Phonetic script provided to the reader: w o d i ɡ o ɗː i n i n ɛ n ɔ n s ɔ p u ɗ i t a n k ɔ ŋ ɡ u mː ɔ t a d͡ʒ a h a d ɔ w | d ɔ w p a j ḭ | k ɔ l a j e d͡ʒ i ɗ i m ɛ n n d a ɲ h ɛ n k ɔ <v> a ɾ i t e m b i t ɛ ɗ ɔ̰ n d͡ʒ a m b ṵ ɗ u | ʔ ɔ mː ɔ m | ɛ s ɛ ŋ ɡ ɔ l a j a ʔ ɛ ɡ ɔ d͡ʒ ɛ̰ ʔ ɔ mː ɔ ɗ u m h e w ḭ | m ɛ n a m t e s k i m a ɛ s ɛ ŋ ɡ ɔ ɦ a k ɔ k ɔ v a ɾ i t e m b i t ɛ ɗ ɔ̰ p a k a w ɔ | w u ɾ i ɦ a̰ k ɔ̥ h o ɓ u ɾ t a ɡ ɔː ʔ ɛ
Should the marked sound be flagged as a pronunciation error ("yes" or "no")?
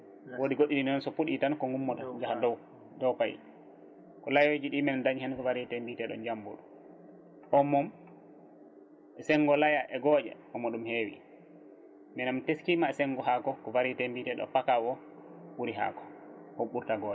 no